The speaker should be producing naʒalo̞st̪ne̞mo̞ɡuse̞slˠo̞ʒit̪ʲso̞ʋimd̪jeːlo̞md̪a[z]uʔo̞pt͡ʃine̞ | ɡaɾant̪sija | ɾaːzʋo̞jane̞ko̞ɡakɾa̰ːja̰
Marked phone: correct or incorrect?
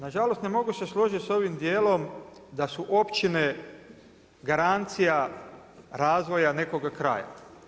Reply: incorrect